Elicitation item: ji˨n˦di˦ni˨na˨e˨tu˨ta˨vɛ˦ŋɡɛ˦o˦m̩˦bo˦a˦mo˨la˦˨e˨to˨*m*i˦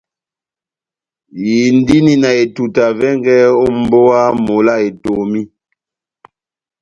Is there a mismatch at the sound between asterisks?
no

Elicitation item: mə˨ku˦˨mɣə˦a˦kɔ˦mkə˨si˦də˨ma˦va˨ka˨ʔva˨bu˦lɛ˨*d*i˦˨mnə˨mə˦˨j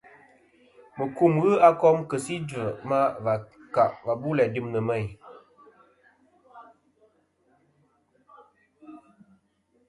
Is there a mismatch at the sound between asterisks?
no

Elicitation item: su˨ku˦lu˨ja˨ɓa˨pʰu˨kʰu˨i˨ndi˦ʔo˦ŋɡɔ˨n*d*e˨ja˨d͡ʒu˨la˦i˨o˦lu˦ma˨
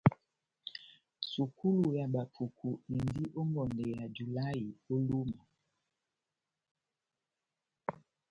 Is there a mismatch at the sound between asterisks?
no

